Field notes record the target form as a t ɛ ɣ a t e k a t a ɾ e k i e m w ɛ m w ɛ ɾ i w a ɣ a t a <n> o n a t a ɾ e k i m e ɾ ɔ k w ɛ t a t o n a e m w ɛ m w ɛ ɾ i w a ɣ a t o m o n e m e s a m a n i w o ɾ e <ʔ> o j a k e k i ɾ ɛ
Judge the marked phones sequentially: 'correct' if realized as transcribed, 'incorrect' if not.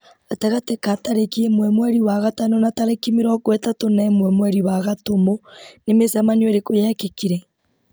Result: correct, incorrect

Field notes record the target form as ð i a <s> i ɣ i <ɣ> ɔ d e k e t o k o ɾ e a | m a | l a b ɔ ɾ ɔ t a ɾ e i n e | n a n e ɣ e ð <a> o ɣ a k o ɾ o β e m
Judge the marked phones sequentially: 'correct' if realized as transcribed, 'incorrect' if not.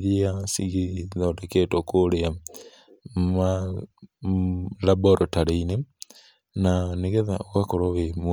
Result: correct, incorrect, correct

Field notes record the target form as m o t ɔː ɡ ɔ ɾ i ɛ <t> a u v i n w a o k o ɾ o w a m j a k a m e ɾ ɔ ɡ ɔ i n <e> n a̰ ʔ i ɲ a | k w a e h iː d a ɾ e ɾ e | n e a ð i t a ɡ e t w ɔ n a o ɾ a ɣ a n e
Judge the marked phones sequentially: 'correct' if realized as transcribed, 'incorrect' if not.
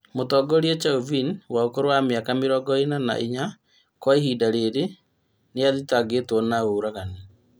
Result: incorrect, incorrect

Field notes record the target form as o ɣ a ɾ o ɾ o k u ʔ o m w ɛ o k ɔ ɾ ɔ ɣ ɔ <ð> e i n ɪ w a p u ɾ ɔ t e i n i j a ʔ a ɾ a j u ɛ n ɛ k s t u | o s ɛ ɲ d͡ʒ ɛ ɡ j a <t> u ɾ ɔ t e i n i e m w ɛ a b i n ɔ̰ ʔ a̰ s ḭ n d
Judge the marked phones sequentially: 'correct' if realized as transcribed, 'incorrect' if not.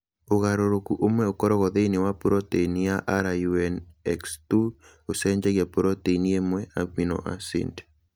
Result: correct, incorrect

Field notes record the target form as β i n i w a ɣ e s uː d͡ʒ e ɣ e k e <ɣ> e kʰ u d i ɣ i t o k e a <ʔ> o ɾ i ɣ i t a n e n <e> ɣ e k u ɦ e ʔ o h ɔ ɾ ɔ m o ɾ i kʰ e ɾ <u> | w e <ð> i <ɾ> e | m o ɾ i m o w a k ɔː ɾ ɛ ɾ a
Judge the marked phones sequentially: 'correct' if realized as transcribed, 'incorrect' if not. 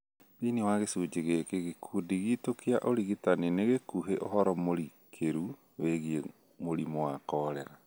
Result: correct, correct, correct, correct, incorrect, incorrect

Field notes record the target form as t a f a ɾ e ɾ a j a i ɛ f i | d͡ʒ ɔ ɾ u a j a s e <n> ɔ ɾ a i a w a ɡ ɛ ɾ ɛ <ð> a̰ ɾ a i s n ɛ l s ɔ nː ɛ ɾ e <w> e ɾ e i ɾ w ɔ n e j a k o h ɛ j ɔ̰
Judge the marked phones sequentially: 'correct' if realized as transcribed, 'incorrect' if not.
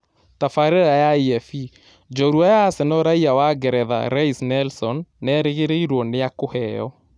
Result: correct, correct, incorrect

